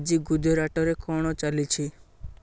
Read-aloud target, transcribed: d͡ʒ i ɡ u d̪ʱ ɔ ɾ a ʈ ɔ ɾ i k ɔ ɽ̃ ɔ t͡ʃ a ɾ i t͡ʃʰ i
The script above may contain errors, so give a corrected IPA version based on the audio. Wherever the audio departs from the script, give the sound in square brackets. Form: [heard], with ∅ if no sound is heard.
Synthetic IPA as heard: d͡ʒ i ɡ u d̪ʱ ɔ ɾ a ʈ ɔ ɾ [e] k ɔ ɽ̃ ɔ t͡ʃ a [l] i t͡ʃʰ i